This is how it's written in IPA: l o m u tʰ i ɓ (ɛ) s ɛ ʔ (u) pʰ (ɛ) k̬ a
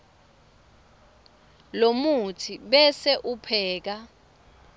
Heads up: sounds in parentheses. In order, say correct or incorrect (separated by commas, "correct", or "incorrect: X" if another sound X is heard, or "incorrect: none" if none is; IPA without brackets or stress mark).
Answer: correct, correct, incorrect: ɛː